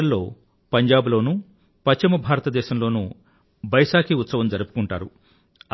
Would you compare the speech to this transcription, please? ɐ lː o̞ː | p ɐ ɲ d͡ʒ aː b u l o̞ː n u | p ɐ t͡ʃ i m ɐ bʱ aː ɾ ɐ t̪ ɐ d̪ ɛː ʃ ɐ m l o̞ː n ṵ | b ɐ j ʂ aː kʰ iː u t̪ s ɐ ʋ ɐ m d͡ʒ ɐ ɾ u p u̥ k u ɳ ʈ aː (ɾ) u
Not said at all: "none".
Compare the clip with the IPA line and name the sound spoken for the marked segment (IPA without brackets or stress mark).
ɾ